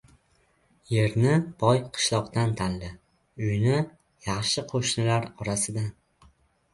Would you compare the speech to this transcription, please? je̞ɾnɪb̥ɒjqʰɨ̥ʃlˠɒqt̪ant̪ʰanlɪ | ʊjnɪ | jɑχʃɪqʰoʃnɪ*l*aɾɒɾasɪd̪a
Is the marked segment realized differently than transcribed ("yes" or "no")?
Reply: no